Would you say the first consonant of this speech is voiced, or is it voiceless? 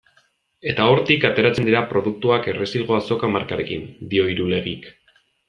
voiceless